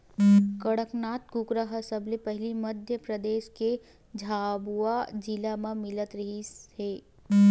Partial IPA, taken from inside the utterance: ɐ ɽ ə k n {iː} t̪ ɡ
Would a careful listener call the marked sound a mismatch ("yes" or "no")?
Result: yes